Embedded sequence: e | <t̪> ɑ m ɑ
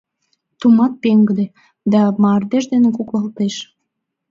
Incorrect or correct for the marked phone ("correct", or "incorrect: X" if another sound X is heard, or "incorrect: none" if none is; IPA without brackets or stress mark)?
incorrect: d̪